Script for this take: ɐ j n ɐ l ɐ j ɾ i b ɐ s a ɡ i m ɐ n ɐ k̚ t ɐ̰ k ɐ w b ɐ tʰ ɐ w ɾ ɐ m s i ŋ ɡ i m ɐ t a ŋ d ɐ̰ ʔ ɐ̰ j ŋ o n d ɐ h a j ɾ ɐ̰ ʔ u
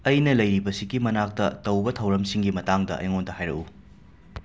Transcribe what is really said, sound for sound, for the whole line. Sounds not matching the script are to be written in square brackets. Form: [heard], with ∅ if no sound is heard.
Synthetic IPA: ɐ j n ɐ l ɐ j ɾ i b ɐ s [i] ɡ i m ɐ n [a] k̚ t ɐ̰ [t] ɐ w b ɐ tʰ ɐ w ɾ ɐ m s i ŋ ɡ i m ɐ t a ŋ d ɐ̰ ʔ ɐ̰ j ŋ o n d ɐ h a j ɾ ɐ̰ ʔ u